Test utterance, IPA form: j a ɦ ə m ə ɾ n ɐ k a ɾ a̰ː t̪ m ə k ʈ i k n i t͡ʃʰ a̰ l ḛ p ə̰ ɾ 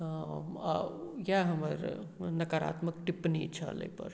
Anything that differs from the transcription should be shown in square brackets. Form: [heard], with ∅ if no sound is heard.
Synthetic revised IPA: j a ɦ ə m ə ɾ n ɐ k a ɾ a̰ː t̪ m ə k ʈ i [p] n i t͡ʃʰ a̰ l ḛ p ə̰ ɾ

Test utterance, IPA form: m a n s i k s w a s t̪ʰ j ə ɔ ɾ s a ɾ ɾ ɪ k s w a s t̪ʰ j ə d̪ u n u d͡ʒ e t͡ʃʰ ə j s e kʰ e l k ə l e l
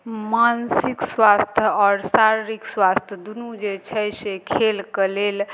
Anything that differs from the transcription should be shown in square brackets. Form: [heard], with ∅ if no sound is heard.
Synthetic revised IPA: m a n s i k s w a s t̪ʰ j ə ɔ ɾ s a ɾ ɾ [i] k s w a s t̪ʰ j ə d̪ u n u d͡ʒ e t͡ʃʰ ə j s e kʰ e l k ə l e l

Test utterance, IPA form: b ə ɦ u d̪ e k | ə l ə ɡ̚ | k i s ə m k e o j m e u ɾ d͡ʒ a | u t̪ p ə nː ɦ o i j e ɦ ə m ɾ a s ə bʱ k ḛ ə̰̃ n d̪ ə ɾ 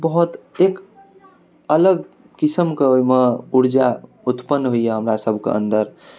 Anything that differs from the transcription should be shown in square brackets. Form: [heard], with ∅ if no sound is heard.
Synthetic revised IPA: b ə ɦ u [t̪] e k | ə l ə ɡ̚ | k i s ə m k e o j m e u ɾ d͡ʒ a | u t̪ p ə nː ɦ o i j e ɦ ə m ɾ a s ə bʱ k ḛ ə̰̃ n d̪ ə ɾ

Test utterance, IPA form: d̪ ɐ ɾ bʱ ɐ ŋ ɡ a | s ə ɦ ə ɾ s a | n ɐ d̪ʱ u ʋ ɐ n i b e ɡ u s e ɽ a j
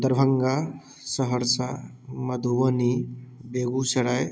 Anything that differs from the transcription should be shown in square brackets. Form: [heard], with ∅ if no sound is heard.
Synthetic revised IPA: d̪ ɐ ɾ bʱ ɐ ŋ ɡ a | s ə ɦ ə ɾ s a | [m] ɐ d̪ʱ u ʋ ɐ n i b e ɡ u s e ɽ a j

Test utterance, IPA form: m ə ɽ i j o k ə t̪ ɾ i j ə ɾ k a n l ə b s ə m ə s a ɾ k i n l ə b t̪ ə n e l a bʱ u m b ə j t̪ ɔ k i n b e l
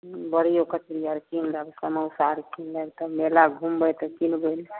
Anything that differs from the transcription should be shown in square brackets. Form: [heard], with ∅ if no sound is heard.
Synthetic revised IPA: [b] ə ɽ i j o k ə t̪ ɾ i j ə ɾ k [i] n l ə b s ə m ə s a ɾ k i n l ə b t̪ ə [m] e l a [ɡʱ] u m b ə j t̪ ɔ k i n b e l

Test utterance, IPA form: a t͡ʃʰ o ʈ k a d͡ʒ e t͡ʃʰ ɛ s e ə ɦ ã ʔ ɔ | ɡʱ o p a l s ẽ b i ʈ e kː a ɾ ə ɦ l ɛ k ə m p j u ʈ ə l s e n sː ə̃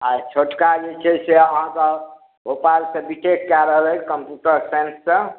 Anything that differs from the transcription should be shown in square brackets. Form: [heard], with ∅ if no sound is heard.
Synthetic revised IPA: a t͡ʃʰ o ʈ k a d͡ʒ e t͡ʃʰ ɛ s e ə ɦ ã [k] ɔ | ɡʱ o p a l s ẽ b i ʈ e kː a ɾ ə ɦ l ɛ k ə m p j u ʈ ə [ɾ] s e n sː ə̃

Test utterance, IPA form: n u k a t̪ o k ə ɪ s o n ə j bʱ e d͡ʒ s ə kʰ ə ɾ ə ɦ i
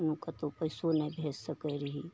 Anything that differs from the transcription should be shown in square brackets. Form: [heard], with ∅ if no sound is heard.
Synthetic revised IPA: n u k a t̪ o [p] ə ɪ s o n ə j bʱ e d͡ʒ s ə [k] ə ɾ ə ɦ i

